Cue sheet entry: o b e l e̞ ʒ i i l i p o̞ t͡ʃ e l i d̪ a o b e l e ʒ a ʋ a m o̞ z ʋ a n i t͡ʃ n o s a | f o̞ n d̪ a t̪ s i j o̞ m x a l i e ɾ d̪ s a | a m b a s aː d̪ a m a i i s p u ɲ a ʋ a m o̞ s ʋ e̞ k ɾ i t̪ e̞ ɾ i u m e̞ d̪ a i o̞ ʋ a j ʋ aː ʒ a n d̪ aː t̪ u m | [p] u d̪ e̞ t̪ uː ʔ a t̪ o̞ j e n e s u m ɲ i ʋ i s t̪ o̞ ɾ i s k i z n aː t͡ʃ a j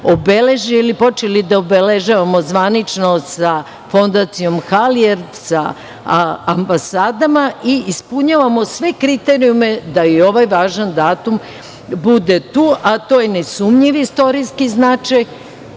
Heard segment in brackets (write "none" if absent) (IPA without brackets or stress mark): b